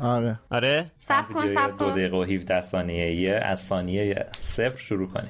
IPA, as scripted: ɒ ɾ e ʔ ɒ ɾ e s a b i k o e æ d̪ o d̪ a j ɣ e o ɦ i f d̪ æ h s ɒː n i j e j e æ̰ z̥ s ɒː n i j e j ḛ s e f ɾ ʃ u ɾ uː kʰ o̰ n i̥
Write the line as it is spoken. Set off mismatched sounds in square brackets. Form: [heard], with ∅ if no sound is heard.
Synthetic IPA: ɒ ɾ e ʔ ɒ ɾ e s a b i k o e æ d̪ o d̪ [e] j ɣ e o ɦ i f d̪ æ h s ɒː n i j e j e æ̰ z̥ s ɒː n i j e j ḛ s e f ɾ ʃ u ɾ uː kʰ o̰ n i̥